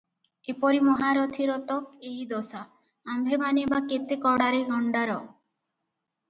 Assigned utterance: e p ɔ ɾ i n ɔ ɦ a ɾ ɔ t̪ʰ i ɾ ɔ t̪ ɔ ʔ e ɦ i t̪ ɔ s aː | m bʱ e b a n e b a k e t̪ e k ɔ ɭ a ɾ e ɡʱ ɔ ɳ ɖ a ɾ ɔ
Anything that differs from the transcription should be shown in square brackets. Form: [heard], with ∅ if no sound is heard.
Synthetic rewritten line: e p ɔ ɾ i [m] ɔ ɦ a ɾ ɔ t̪ʰ i ɾ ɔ t̪ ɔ [k] e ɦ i [d̪] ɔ s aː | m bʱ e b a n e b a k e t̪ e k ɔ [ɽ] a ɾ e ɡʱ ɔ ɳ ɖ a ɾ ɔ